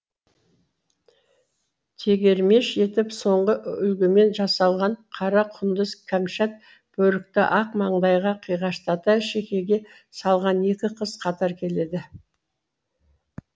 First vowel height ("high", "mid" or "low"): mid